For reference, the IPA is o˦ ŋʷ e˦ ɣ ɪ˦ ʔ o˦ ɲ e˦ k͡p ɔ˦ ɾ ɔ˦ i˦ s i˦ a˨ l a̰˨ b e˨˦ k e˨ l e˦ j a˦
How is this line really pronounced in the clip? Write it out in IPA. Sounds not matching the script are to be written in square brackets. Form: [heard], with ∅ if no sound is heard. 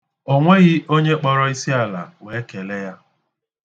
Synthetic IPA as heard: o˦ ŋʷ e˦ ɣ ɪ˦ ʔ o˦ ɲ e˦ k͡p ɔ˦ ɾ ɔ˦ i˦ s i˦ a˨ l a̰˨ [w] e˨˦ k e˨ l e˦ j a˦